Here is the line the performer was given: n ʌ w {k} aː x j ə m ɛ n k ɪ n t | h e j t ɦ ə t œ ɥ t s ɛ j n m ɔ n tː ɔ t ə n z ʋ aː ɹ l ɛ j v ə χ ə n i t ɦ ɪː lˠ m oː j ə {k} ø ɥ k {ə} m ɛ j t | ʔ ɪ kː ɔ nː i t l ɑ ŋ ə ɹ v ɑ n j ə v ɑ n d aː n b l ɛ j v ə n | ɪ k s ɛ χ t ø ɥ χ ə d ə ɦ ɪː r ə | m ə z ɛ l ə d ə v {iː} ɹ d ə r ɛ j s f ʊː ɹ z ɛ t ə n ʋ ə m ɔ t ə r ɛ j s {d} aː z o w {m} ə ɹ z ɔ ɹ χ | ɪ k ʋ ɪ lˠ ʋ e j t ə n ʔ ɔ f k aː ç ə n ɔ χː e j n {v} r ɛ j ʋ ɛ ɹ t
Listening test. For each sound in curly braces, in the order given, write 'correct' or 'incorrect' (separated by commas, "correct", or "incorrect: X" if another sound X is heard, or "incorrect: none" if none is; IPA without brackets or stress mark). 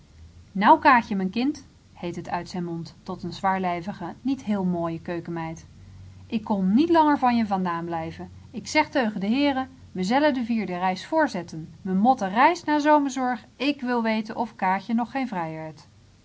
correct, correct, correct, correct, incorrect: n, correct, correct